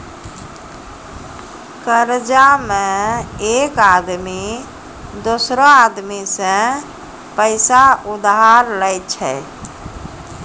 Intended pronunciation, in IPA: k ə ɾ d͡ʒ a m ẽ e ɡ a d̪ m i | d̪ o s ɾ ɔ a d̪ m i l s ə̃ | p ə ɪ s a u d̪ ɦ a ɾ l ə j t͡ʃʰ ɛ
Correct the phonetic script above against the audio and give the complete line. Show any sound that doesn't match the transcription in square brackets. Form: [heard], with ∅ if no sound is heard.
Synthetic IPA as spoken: k ə ɾ d͡ʒ a m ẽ e [k] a d̪ m i | d̪ o s ɾ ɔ a d̪ m i [∅] s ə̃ | p ə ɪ s a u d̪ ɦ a ɾ l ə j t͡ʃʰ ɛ

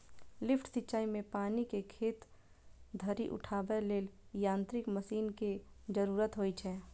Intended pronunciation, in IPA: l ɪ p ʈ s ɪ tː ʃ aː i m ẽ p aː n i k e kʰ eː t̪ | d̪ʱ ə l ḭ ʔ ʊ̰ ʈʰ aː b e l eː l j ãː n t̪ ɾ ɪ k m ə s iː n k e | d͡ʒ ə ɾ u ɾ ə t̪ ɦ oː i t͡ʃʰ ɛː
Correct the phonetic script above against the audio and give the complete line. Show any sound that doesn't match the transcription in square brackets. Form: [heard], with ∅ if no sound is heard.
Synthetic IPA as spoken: l ɪ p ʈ s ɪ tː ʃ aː i m ẽ p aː n i k e kʰ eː t̪ | d̪ʱ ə [ɾ] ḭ ʔ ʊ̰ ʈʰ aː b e l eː l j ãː n t̪ ɾ ɪ k m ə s iː n k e | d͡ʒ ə ɾ [uː] ɾ ə t̪ ɦ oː i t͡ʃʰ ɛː

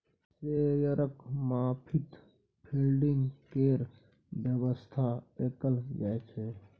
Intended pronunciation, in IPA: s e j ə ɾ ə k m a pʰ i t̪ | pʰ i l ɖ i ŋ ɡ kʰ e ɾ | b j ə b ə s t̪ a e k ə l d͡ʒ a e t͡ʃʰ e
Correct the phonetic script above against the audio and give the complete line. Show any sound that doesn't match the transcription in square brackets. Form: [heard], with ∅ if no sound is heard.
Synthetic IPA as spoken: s e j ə ɾ ə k m a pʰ i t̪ | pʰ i l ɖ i ŋ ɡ [k] e ɾ | b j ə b ə s [t̪ʰ] a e k ə l d͡ʒ a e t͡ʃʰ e

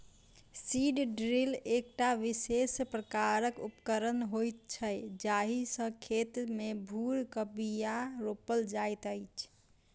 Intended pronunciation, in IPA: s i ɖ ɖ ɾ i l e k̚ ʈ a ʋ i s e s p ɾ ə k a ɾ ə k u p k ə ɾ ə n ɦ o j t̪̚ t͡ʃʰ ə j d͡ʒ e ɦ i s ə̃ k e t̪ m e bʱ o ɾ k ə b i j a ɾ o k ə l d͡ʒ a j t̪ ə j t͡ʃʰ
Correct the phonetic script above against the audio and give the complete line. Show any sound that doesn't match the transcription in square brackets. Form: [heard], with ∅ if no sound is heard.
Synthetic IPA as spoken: s i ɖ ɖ ɾ i l e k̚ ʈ a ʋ i s e s p ɾ ə k a ɾ ə k u p k ə ɾ ə n ɦ o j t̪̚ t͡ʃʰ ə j d͡ʒ [a] ɦ i s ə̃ [kʰ] e t̪ m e bʱ [u] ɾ k ə b i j a ɾ o [p] ə l d͡ʒ a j t̪ ə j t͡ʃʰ

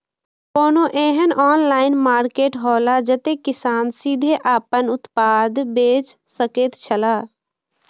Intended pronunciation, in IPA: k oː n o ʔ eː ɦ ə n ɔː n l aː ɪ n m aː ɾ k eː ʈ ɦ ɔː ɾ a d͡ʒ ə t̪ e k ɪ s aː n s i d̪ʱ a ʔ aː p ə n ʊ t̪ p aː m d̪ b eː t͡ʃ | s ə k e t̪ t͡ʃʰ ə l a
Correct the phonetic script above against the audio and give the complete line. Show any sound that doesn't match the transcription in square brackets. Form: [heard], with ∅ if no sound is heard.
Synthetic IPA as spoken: k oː n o ʔ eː ɦ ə n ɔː n l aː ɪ n m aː ɾ k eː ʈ ɦ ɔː [l] a d͡ʒ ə t̪ e k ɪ s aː n s i d̪ʱ [e] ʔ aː p ə n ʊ t̪ p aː [∅] d̪ b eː t͡ʃ | s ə k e t̪ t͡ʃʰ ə l a

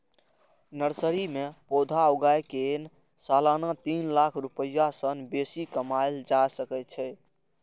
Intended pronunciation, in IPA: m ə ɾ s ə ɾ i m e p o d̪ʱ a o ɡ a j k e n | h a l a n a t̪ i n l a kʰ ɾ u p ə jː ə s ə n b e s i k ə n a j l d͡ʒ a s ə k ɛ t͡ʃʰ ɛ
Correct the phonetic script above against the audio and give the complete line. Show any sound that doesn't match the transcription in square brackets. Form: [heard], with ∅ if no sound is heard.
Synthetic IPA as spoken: [n] ə ɾ s ə ɾ i m e p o d̪ʱ a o ɡ a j k e n | [s] a l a n a t̪ i n l a kʰ ɾ u p ə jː [a] s ə n b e s i k ə [m] a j l d͡ʒ a s ə k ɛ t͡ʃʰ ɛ

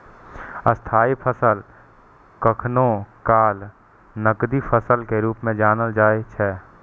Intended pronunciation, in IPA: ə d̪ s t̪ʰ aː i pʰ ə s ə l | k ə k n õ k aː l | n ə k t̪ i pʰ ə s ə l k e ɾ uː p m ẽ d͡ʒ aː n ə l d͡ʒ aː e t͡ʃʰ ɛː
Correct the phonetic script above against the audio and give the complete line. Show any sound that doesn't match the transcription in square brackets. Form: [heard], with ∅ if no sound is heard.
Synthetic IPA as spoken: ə [∅] s t̪ʰ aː i pʰ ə s ə l | k ə [kʰ] n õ k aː l | n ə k [d̪] i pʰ ə s ə l k e ɾ uː p m ẽ d͡ʒ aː n ə l d͡ʒ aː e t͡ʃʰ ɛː

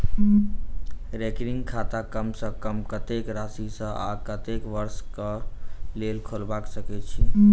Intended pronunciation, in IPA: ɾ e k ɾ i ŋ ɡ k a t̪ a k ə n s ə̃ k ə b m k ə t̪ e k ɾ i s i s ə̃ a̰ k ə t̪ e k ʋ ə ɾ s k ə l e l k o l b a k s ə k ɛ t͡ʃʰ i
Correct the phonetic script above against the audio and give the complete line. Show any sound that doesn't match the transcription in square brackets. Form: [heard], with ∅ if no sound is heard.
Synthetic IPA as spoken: ɾ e k ɾ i ŋ ɡ [kʰ] a t̪ a k ə [m] s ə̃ k ə [∅] m k ə t̪ e k ɾ [a] s i s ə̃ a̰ k ə t̪ e k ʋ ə ɾ s k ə l e l [kʰ] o l b a k s ə k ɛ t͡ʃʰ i

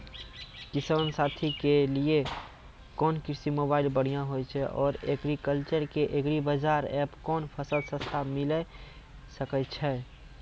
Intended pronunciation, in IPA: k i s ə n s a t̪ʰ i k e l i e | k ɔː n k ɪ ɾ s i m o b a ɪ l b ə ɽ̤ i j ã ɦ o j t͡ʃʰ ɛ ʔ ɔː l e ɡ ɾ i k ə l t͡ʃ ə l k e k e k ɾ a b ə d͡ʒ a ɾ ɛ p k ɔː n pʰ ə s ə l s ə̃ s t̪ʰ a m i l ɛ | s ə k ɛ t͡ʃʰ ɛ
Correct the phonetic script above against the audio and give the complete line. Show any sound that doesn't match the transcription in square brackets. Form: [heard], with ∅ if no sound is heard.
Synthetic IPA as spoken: k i s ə n s a t̪ʰ i k e l i e | k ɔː n k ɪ ɾ s i m o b a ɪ l b ə ɽ̤ i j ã ɦ o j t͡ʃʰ ɛ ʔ ɔː [ɾ] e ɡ ɾ i k ə l t͡ʃ ə [ɾ] k e [ʔ] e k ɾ [i] b ə d͡ʒ a ɾ ɛ p k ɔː n pʰ ə s ə l s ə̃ s t̪ʰ a m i l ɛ | s ə k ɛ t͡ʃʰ ɛ

